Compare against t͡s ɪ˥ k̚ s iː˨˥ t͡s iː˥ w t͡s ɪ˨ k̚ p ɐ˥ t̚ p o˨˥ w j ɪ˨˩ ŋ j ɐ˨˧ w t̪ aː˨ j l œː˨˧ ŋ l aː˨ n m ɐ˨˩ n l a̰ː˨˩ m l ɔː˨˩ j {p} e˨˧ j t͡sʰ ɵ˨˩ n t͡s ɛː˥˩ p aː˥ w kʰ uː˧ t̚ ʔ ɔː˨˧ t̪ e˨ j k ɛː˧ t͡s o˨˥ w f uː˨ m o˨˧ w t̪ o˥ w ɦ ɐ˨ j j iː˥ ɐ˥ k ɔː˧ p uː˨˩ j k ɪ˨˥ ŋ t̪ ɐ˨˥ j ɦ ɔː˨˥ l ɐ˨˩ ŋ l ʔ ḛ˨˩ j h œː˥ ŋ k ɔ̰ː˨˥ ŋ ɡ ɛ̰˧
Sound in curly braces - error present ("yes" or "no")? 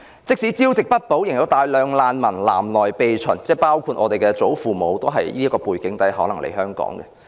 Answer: no